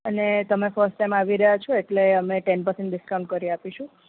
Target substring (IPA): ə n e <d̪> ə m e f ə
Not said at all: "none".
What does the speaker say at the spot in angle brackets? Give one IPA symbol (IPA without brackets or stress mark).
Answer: t̪